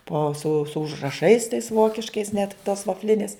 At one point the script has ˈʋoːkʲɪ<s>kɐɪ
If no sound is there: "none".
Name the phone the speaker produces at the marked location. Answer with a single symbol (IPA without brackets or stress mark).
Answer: ʃ